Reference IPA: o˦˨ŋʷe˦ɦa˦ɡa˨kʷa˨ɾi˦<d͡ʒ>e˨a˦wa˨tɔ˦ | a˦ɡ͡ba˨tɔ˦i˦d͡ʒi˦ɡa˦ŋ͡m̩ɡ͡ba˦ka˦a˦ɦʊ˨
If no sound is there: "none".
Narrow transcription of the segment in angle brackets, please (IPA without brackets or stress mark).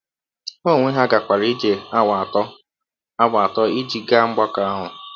d͡ʒ